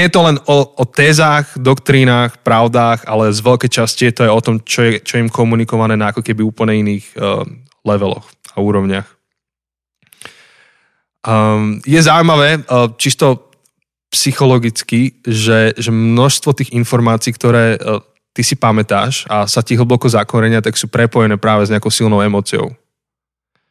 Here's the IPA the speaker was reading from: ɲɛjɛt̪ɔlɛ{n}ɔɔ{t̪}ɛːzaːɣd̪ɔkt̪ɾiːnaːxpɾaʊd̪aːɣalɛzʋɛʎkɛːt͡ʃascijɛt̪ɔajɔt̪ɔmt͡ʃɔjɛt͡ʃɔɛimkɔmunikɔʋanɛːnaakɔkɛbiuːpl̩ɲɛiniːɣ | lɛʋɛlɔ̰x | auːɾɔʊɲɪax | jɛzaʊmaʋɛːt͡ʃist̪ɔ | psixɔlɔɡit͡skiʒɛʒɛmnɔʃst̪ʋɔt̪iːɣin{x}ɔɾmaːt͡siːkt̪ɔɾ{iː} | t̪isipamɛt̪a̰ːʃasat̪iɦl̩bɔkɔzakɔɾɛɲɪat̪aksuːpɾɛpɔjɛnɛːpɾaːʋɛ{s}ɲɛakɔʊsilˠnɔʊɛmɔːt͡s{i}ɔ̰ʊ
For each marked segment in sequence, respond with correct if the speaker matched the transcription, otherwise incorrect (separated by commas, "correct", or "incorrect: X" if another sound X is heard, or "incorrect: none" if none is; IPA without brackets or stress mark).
correct, correct, incorrect: f, incorrect: ɛː, incorrect: z, correct